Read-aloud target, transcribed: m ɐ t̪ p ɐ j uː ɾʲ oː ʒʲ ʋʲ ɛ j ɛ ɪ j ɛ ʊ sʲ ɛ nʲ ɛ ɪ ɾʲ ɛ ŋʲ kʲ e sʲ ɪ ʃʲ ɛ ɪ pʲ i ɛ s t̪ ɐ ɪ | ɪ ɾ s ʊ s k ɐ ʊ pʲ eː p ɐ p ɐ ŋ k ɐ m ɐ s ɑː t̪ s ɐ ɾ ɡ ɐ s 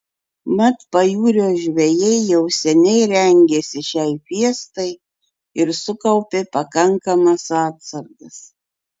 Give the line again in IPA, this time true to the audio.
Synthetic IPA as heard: m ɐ t̪ p ɐ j uː ɾʲ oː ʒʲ ʋʲ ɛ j ɛ ɪ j ɛ ʊ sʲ ɛ nʲ ɛ ɪ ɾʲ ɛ ŋʲ ɡʲ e sʲ ɪ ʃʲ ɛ ɪ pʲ i ɛ s t̪ ɐ ɪ | ɪ ɾ s ʊ k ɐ ʊ pʲ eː p ɐ k ɐ ŋ k ɐ m ɐ s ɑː t̪ s ɐ ɾ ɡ ɐ s

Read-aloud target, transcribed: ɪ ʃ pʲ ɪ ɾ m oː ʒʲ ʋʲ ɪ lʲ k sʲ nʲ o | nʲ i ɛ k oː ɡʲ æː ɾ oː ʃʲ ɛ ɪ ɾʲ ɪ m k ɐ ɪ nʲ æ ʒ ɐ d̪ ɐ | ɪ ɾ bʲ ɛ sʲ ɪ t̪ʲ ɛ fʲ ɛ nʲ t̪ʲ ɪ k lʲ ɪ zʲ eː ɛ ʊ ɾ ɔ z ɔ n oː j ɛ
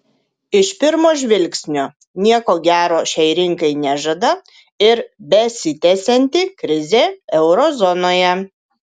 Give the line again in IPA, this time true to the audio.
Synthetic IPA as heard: ɪ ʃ pʲ ɪ ɾ m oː ʒʲ ʋʲ ɪ lʲ k sʲ nʲ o | nʲ i ɛ k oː ɡʲ æː ɾ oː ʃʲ ɛ ɪ ɾʲ ɪ ŋ k ɐ ɪ nʲ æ ʒ ɐ d̪ ɐ | ɪ ɾ bʲ ɛ sʲ ɪ t̪ʲ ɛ sʲ ɛ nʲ t̪ʲ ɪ k ɾʲ ɪ zʲ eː ɛ ʊ ɾ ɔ z ɔ n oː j ɛ

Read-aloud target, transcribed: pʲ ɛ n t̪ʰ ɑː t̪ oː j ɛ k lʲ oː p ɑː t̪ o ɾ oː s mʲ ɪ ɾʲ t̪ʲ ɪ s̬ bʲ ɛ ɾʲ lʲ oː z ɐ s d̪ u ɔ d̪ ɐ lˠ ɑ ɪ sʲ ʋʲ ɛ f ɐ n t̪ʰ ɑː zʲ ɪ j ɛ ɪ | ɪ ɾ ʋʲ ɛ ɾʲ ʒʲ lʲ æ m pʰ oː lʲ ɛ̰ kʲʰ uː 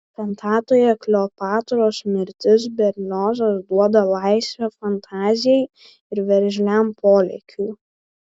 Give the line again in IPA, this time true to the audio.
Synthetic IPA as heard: pʲ ɛ n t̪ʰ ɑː t̪ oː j ɛ k lʲ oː p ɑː t̪ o ɾ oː s mʲ ɪ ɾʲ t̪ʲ ɪ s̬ bʲ ɛ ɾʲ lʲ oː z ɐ s d̪ u ɔ d̪ ɐ lˠ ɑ ɪ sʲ ʋʲ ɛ f ɐ n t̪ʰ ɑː zʲ ɪ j ɛ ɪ | ɪ ɾ ʋʲ ɛ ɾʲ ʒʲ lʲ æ m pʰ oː lʲ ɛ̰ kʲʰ uː

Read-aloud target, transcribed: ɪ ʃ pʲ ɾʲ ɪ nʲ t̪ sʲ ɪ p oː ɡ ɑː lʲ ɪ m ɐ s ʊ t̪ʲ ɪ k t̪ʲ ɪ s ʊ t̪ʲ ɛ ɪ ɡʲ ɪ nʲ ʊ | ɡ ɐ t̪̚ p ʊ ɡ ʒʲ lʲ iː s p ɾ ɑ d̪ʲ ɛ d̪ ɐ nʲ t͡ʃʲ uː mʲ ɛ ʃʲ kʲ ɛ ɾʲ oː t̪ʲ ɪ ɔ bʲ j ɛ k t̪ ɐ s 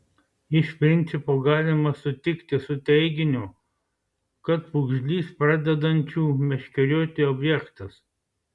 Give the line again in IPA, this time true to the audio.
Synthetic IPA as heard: ɪ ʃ pʲ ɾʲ ɪ nʲ t̪ sʲ ɪ p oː ɡ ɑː lʲ ɪ m ɐ s ʊ t̪ʲ ɪ k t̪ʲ ɪ s ʊ t̪ʲ ɛ ɪ ɡʲ ɪ nʲ ʊ | k ɐ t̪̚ p ʊ ɡ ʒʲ lʲ iː s p ɾ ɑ d̪ʲ ɛ d̪ ɐ nʲ t͡ʃʲ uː mʲ ɛ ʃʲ kʲ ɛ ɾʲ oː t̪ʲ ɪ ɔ bʲ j ɛ k t̪ ɐ s

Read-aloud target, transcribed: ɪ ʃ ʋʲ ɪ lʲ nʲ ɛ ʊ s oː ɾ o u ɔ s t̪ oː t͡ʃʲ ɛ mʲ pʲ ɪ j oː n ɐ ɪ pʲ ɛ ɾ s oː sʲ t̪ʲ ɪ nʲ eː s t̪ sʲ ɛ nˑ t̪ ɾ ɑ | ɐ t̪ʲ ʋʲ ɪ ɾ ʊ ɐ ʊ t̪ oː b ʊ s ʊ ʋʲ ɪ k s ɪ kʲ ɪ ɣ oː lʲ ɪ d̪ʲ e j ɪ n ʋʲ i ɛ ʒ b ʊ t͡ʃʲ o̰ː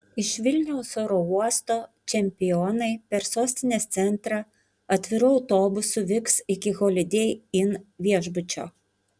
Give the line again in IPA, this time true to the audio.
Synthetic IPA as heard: ɪ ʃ ʋʲ ɪ lʲ nʲ ɛ ʊ s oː ɾ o u ɔ s t̪ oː t͡ʃʲ ɛ mʲ pʲ ɪ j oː n ɐ ɪ pʲ ɛ ɾ s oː sʲ t̪ʲ ɪ nʲ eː s t̪ sʲ ɛ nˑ t̪ ɾ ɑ | ɐ t̪ʲ ʋʲ ɪ ɾ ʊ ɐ ʊ t̪ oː b ʊ s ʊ ʋʲ ɪ k s ɪ kʲ ɪ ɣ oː lʲ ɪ d̪ʲ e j ɪ n ʋʲ i ɛ ʒ b ʊ t͡ʃʲ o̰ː

